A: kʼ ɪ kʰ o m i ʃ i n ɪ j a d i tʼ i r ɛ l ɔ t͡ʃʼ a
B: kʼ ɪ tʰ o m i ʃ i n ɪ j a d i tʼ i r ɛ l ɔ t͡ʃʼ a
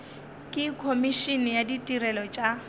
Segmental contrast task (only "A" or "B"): A